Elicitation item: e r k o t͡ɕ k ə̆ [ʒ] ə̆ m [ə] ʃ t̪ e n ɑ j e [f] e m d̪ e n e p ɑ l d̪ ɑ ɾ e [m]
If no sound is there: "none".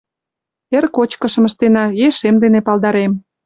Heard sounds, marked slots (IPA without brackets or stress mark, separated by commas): ʃ, ə, ʃ, m